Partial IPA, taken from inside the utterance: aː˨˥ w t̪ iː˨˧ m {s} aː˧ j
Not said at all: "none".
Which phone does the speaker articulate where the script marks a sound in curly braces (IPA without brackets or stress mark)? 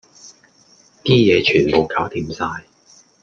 s